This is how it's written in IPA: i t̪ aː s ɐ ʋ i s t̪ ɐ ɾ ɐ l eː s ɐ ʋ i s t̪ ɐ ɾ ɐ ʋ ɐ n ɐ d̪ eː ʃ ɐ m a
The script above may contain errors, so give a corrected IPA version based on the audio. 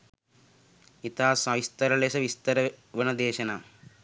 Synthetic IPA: i t̪ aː s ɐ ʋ i s t̪ ɐ ɾ ɐ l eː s ɐ ʋ i s t̪ ɐ ɾ ɐ ʋ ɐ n ɐ d̪ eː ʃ ɐ n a